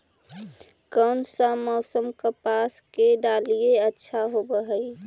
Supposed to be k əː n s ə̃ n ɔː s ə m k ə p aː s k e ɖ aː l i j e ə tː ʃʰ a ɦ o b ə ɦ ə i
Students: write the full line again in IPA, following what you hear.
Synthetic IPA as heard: k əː n s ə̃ m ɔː s ə m k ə p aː s k e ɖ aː l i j e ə tː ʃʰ a ɦ o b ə ɦ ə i